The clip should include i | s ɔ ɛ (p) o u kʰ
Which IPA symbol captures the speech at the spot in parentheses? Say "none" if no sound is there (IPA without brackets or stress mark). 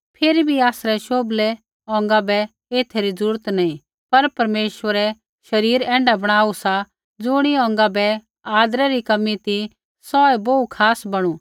b